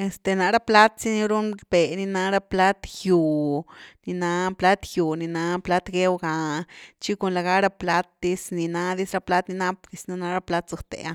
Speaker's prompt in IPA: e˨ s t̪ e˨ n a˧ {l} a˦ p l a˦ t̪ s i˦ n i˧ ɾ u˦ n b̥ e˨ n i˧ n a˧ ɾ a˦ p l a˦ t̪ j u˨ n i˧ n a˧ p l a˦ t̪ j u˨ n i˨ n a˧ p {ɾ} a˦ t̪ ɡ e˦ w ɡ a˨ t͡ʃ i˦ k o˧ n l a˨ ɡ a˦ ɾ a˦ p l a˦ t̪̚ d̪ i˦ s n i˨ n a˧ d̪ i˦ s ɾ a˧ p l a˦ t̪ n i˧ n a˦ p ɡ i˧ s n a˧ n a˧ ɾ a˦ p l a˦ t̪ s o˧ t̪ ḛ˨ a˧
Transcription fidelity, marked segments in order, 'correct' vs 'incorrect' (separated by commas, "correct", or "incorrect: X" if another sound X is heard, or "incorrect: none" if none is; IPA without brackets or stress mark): incorrect: ɾ, incorrect: l